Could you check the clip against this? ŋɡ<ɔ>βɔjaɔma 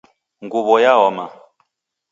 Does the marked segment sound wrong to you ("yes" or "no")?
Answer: yes